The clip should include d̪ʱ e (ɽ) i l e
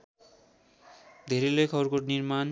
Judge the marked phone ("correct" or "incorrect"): incorrect